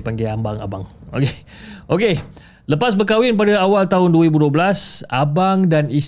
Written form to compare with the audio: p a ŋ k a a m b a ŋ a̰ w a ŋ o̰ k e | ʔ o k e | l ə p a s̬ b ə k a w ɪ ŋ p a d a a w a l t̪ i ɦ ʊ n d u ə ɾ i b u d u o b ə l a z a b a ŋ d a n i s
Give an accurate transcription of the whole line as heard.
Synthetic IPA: p a ŋ ɡ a a m b a ŋ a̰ b a ŋ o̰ k e | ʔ o k e | l ə p a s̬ b ə k a w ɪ n p a d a a w a l t̪ a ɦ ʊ n d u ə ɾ i b u d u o b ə l a s a b a ŋ d a n i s